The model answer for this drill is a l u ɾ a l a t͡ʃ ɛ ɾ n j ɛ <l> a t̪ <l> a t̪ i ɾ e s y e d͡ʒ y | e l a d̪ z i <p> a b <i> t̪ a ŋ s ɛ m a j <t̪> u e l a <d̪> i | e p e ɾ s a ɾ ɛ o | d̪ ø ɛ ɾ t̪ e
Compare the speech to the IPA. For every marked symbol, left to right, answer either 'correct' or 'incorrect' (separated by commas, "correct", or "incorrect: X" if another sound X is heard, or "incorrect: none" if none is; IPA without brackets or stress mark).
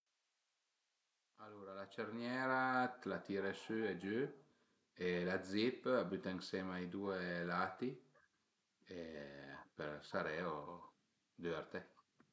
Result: incorrect: ɾ, correct, correct, incorrect: y, incorrect: d̪, incorrect: t̪